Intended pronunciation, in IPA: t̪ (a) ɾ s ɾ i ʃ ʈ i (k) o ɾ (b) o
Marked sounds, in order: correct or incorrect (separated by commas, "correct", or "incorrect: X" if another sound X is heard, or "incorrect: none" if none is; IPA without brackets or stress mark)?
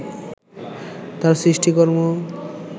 correct, correct, incorrect: m